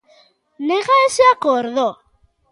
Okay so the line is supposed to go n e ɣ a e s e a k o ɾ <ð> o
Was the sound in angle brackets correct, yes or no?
yes